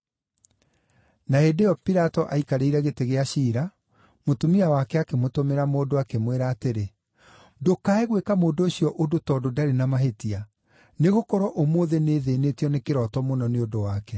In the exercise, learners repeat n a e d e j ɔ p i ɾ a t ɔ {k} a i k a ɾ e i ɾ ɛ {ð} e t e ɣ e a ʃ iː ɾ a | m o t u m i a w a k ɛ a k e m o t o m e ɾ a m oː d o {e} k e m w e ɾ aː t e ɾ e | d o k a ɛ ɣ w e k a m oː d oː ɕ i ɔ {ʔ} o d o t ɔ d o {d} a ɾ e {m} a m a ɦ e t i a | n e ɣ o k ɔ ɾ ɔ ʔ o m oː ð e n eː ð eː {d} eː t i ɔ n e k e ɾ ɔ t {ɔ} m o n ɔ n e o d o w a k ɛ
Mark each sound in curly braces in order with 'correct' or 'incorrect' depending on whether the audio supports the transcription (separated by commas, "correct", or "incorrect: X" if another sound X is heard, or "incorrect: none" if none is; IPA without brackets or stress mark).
incorrect: ʔ, incorrect: ɣ, incorrect: a, correct, correct, incorrect: n, incorrect: n, correct